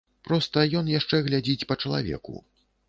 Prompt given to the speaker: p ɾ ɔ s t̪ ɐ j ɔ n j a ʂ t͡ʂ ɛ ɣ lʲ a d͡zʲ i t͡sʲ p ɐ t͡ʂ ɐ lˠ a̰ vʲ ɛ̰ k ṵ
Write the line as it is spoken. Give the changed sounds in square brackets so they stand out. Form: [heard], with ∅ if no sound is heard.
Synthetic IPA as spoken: p ɾ ɔ s t̪ ɐ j ɔ n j a ʂ t͡ʂ ɛ ɣ lʲ a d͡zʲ i t͡sʲ p ɐ t͡ʂ ɐ lˠ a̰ vʲ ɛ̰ k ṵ